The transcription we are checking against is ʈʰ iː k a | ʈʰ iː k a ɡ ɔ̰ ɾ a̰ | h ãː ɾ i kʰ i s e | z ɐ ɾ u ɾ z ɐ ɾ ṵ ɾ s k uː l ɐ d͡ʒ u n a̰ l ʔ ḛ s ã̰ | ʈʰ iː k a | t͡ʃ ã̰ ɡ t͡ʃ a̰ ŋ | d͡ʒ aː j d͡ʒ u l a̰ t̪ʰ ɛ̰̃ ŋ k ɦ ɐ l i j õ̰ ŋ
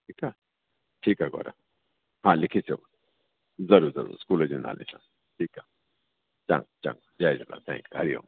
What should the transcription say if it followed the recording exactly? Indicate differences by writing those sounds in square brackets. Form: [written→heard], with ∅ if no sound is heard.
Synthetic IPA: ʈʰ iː k a | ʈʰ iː k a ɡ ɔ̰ ɾ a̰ | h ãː [ɾ→l] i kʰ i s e | z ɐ ɾ u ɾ z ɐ ɾ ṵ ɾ s k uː l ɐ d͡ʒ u n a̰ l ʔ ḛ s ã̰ | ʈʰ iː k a | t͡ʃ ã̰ [ɡ→ŋ] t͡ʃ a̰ ŋ | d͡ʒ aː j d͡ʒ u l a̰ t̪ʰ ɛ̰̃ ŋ k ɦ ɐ [l→ɾ] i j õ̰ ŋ